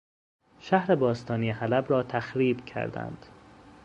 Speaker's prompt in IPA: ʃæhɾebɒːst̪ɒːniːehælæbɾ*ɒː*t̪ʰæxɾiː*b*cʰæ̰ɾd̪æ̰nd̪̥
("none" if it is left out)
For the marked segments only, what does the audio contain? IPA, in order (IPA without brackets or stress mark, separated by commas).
ɒː, b